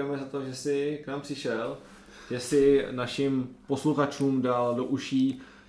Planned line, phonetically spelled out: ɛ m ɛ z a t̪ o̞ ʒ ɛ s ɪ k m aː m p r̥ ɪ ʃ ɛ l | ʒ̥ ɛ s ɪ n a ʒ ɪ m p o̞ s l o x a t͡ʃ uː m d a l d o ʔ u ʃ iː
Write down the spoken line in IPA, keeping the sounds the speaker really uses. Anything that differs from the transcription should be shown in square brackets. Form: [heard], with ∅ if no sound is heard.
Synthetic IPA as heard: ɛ m ɛ z a t̪ o̞ ʒ ɛ s ɪ k [n] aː m p r̥ ɪ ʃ ɛ l | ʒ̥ ɛ s ɪ n a [ʃ] ɪ m p o̞ s l [u] x a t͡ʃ uː m d a l d o ʔ u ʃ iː